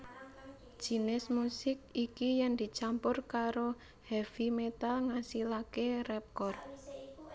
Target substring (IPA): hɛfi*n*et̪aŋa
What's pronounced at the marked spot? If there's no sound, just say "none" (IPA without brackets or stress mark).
m